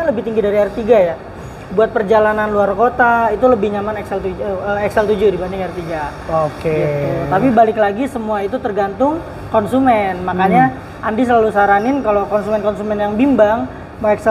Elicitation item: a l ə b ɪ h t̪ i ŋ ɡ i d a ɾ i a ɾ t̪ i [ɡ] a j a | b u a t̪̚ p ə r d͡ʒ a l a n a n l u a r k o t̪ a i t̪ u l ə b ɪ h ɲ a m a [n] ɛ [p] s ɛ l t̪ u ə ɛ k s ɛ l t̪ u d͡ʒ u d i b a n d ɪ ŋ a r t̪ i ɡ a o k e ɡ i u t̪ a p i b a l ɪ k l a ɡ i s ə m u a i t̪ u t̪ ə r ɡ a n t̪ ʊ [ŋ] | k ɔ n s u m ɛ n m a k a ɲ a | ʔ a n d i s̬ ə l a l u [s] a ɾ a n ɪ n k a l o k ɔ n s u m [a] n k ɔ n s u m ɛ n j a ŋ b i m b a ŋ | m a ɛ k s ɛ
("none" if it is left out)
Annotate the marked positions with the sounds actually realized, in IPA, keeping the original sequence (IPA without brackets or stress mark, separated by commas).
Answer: ɡ, n, k, ŋ, s, ɛ